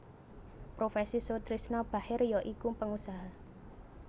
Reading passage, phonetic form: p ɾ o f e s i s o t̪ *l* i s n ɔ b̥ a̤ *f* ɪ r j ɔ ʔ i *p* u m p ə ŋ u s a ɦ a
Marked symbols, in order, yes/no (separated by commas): no, no, no